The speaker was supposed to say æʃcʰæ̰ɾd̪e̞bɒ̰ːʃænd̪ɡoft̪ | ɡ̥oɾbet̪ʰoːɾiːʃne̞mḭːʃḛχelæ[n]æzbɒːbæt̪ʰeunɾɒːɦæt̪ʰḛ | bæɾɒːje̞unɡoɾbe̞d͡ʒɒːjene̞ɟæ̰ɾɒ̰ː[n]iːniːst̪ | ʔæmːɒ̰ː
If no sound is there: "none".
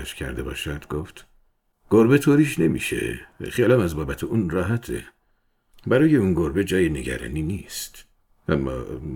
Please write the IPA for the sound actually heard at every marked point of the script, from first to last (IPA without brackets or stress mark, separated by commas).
m, n